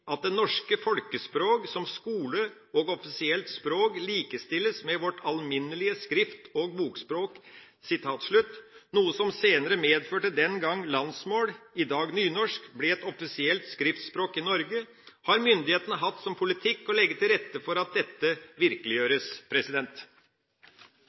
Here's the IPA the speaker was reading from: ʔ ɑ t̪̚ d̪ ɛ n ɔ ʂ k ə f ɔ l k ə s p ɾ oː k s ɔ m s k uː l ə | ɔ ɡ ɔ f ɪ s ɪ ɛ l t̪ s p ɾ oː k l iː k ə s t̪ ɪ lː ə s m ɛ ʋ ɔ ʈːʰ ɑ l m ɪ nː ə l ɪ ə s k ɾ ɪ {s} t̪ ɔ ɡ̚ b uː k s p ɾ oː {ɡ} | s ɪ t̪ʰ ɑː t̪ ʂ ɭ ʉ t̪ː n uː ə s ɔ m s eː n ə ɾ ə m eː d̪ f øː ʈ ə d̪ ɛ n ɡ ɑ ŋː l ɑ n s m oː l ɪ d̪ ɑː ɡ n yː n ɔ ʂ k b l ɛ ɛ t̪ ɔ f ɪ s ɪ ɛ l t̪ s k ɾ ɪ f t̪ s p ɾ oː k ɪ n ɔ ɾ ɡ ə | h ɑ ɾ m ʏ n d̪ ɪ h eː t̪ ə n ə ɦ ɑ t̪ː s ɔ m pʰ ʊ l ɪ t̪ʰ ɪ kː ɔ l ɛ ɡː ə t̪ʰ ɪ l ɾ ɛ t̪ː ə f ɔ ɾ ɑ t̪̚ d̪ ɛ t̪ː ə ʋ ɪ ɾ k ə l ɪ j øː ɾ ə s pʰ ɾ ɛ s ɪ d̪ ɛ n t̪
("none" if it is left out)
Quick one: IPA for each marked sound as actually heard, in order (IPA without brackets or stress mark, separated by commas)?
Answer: f, k